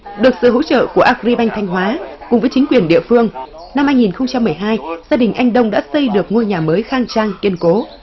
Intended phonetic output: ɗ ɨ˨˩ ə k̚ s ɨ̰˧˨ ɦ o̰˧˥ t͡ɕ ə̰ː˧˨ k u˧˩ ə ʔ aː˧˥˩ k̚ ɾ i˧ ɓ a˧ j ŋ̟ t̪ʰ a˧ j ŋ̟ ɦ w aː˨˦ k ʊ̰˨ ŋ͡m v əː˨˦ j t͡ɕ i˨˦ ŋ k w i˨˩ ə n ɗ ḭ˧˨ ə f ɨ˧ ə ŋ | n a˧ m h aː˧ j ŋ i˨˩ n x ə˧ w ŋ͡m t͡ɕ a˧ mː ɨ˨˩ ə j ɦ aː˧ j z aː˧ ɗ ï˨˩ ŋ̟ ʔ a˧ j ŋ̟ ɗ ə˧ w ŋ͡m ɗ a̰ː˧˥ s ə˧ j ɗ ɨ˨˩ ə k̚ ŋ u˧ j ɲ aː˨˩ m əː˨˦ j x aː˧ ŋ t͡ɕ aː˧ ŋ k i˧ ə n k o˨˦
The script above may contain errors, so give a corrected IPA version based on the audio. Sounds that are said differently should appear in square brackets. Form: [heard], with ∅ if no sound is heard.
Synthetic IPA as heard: ɗ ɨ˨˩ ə k̚ s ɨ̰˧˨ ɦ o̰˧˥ t͡ɕ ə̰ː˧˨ k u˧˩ ə ʔ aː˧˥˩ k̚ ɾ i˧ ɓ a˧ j ŋ̟ t̪ʰ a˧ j ŋ̟ ɦ w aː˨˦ k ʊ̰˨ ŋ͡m v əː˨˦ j t͡ɕ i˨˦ ŋ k w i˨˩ ə n ɗ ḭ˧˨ ə f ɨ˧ ə ŋ | n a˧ m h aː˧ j ŋ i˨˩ n x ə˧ w ŋ͡m t͡ɕ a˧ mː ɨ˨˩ ə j ɦ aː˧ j z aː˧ ɗ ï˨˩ ŋ̟ ʔ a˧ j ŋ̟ ɗ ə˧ w ŋ͡m ɗ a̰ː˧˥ s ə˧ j ɗ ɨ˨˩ ə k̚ ŋ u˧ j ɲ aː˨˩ m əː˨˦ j x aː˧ ŋ t͡ɕ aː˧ ŋ k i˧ ə n k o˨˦

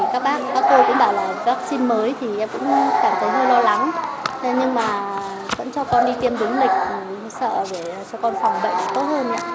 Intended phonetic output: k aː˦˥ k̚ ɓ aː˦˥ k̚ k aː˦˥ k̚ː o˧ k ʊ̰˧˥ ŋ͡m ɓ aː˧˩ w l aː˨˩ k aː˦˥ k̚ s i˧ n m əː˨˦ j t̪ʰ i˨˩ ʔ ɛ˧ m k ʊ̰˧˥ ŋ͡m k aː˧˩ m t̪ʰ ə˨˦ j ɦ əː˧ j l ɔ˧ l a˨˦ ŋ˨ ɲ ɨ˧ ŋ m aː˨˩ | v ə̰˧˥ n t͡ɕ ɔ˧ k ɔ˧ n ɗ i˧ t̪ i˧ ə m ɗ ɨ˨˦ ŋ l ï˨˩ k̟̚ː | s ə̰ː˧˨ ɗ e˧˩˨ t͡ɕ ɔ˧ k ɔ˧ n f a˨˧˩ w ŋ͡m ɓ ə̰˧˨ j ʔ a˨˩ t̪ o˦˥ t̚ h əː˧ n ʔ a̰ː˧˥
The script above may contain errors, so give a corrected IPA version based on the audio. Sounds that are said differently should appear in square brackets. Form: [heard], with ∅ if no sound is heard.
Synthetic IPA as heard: k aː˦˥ k̚ ɓ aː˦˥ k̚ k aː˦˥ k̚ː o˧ k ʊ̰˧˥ ŋ͡m ɓ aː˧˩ w l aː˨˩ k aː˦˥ k̚ s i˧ n m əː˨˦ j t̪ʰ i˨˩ ʔ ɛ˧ m k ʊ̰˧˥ ŋ͡m k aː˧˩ m t̪ʰ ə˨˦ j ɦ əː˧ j l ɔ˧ l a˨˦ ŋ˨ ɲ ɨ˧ ŋ m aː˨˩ | v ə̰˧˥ n t͡ɕ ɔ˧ k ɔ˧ n ɗ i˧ t̪ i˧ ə m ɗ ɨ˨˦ ŋ l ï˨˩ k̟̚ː | s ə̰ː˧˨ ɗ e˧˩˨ t͡ɕ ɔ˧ k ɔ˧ n f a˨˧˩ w ŋ͡m ɓ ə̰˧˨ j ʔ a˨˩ t̪ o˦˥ t̚ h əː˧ n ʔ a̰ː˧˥

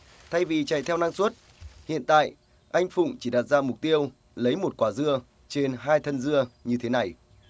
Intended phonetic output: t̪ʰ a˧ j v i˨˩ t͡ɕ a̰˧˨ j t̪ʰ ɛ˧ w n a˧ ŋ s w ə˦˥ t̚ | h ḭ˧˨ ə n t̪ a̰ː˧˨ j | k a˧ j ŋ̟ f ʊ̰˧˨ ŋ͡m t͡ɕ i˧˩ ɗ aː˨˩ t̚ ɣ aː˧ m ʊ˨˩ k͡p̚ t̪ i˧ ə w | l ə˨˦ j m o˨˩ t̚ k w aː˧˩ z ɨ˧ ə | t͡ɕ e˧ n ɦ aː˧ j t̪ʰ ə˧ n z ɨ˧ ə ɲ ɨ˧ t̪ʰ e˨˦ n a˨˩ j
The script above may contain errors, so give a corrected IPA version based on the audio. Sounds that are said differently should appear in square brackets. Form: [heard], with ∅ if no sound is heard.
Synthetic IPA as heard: t̪ʰ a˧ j v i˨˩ t͡ɕ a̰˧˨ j t̪ʰ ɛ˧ w n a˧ ŋ s w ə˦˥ t̚ | h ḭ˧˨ ə n t̪ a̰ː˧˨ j | [ʔ] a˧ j ŋ̟ f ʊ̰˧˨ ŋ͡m t͡ɕ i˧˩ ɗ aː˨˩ t̚ [z] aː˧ m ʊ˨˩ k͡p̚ t̪ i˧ ə w | l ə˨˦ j m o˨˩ t̚ k w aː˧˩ z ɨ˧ ə | t͡ɕ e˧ n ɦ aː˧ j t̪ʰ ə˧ n z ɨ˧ ə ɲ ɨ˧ t̪ʰ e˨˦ n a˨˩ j

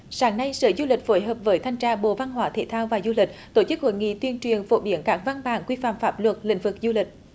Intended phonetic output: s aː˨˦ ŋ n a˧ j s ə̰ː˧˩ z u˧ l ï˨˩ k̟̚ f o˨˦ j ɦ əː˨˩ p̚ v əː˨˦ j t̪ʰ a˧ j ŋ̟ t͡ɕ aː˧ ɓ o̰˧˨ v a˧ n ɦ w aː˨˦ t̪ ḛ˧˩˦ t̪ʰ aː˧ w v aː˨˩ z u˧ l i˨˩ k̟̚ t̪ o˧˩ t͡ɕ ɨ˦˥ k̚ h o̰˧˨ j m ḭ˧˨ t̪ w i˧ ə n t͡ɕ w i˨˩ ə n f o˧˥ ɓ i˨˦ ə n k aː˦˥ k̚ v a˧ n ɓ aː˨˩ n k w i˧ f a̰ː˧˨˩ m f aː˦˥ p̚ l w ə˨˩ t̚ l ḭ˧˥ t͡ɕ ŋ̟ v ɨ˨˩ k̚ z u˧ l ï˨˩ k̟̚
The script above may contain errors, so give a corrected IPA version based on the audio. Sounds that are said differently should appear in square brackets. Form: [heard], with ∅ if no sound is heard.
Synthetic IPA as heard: s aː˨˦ ŋ n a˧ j s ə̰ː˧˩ z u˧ l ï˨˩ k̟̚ f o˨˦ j ɦ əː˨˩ p̚ v əː˨˦ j t̪ʰ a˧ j ŋ̟ t͡ɕ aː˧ ɓ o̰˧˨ v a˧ n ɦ w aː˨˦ [t̪ʰ] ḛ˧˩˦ t̪ʰ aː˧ w v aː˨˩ z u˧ l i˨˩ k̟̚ t̪ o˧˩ t͡ɕ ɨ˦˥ k̚ h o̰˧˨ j [ŋ] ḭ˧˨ t̪ w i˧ ə n t͡ɕ w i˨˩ ə n f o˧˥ ɓ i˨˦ ə n k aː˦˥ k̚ v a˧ n ɓ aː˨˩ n k w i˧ f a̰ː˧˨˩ m f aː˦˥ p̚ l w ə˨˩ t̚ l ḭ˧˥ [∅] ŋ̟ v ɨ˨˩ k̚ z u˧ l ï˨˩ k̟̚

